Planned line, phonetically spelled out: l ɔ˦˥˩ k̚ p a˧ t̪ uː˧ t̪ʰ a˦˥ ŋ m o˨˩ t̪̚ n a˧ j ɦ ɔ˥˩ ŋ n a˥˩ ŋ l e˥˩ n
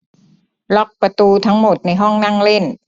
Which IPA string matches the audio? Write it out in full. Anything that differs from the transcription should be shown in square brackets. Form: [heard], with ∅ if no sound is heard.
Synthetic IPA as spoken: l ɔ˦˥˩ k̚ p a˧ t̪ uː˧ t̪ʰ a˦˥ ŋ m o˨˩ t̪̚ n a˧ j ɦ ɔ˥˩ ŋ n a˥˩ ŋ l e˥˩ n